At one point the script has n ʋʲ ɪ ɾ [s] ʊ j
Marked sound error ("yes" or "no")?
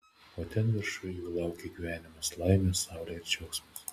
yes